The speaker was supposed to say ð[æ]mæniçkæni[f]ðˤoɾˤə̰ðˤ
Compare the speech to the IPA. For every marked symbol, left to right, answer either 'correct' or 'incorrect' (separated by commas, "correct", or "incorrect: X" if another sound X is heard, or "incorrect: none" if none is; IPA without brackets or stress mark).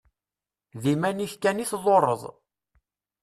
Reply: incorrect: i, incorrect: θ